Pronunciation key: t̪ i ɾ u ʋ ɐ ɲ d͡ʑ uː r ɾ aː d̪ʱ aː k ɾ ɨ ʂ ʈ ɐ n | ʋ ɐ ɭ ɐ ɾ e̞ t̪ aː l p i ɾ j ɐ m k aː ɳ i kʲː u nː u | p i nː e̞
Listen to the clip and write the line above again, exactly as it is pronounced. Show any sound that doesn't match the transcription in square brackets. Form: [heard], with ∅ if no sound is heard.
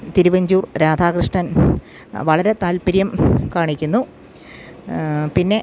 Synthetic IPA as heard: t̪ i ɾ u ʋ ɐ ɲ d͡ʑ uː r ɾ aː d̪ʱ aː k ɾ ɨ ʂ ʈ ɐ n | ʋ ɐ ɭ ɐ ɾ e̞ t̪ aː l p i ɾ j ɐ m k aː ɳ i kʲː u nː u | p i nː e̞